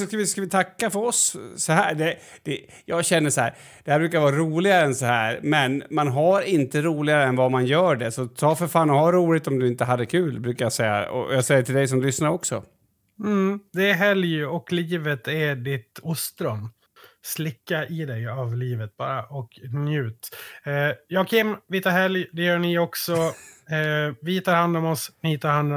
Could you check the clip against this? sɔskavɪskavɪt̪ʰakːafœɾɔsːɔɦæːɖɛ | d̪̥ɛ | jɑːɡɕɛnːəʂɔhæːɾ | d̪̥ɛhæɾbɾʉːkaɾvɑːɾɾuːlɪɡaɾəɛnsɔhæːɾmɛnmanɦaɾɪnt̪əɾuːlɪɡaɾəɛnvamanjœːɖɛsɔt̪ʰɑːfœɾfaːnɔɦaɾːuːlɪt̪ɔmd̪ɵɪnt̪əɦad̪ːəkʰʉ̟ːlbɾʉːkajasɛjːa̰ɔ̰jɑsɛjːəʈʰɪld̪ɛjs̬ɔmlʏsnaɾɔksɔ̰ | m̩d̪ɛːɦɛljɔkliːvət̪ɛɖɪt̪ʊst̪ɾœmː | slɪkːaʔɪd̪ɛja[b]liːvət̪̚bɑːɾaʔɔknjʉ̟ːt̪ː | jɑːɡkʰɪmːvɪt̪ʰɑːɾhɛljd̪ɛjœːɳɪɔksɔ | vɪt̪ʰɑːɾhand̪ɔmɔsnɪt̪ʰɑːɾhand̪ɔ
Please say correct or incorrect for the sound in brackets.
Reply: incorrect